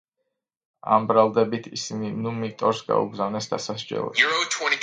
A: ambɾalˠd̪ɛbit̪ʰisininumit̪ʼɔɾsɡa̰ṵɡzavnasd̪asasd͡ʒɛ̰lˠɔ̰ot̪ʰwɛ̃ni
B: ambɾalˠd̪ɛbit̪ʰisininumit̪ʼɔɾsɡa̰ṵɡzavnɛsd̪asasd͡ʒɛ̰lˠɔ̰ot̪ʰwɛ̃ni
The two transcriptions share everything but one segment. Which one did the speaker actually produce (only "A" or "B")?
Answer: B